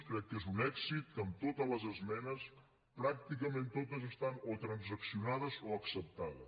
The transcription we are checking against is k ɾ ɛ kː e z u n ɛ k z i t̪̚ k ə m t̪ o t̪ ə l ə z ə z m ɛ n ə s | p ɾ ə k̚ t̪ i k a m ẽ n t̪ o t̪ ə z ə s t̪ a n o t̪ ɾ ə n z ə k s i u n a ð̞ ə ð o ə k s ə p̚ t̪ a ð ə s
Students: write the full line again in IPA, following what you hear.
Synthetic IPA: k ɾ ɛ kː e z u n ɛ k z i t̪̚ k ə m t̪ o t̪ ə l ə z ə z m ɛ n ə s | p ɾ a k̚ t̪ i k ə m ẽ n t̪ o t̪ ə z ə s t̪ a n o t̪ ɾ ə n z ə k s i u n a ð̞ ə z o ə k s ə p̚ t̪ a ð ə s